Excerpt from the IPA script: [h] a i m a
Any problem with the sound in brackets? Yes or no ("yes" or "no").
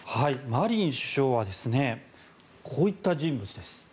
no